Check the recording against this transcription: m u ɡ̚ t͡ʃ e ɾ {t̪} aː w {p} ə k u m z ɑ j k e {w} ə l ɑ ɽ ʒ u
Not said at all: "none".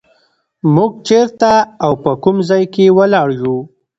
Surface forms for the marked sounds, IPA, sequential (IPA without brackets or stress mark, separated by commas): t̪, p, w